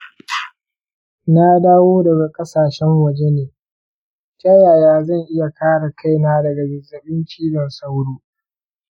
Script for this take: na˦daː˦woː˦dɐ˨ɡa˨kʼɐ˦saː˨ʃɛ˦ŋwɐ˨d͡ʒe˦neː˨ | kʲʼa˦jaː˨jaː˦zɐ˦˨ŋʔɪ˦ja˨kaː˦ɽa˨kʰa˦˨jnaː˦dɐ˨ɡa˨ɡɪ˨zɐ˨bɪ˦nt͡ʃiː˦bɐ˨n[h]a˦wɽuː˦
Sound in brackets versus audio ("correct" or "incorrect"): incorrect